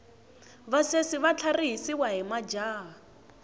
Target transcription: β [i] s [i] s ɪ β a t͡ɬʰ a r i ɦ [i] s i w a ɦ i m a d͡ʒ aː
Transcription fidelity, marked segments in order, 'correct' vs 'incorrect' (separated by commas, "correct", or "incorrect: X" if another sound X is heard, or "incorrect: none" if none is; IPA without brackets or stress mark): incorrect: a, incorrect: e, correct